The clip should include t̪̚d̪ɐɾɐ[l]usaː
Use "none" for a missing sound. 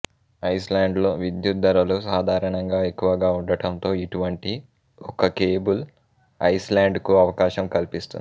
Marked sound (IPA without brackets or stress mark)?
l